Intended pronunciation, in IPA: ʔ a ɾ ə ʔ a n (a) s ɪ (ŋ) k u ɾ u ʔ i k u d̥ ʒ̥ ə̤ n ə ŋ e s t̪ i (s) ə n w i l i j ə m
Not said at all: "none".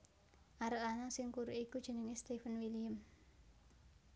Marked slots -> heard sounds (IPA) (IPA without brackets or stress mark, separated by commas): a, ŋ, f